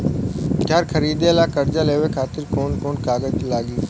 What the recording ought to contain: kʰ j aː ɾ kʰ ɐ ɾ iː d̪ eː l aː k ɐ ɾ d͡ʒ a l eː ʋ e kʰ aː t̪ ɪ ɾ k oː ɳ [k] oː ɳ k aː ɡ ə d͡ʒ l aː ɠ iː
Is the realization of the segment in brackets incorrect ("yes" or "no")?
no